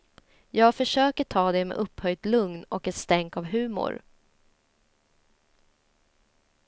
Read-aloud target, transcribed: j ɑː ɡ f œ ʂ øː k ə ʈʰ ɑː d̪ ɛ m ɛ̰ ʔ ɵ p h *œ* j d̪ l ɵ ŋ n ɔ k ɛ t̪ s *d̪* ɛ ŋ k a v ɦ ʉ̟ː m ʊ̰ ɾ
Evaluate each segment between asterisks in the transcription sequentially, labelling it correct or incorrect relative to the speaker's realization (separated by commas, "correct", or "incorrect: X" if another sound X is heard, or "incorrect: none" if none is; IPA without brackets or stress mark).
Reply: correct, incorrect: t̪